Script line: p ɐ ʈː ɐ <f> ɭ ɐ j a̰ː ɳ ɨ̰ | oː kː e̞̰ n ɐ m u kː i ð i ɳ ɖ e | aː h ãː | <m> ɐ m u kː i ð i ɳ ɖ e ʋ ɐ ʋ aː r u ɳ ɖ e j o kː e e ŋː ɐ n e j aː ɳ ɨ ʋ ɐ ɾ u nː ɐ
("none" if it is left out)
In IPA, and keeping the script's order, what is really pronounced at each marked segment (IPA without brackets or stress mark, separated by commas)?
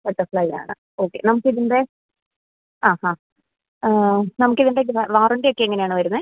f, n